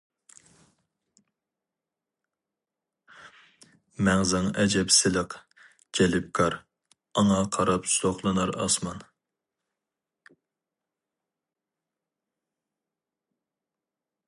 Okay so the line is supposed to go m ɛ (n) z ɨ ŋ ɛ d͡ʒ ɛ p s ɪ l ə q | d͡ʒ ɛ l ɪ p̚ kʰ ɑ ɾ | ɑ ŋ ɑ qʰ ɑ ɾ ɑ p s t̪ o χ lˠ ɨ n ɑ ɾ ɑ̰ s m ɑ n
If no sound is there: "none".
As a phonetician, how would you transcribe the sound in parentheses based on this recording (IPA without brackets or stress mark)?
ŋ